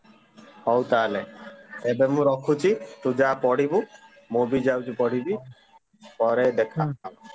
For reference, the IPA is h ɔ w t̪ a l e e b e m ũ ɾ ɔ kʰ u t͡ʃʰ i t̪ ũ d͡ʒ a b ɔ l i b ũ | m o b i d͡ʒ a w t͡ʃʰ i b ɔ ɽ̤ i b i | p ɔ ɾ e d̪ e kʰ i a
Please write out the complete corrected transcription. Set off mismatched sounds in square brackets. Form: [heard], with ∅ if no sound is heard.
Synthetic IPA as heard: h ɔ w t̪ a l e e b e m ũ ɾ ɔ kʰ u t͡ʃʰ i t̪ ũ d͡ʒ a [p] ɔ [ɽ] i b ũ | m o b i d͡ʒ a w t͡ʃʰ i [p] ɔ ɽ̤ i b i | p ɔ ɾ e d̪ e kʰ [a] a